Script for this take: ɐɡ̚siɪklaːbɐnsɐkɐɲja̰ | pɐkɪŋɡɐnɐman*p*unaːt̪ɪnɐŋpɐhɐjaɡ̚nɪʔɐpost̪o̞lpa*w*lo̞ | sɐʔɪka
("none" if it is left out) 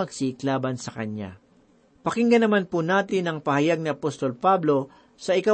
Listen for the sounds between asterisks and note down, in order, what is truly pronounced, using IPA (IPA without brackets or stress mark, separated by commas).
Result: p, b